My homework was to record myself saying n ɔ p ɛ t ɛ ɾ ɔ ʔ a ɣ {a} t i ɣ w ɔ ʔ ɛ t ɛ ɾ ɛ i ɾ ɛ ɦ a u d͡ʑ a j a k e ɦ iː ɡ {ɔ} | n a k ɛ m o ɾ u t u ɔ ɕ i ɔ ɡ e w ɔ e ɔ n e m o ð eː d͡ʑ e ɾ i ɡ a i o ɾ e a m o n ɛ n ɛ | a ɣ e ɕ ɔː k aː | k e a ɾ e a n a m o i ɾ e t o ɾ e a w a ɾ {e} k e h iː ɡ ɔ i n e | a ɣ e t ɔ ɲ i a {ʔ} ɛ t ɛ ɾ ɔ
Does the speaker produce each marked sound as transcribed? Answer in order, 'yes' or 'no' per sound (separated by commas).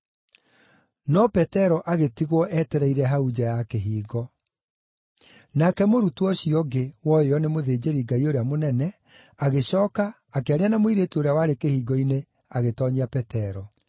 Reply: no, yes, yes, no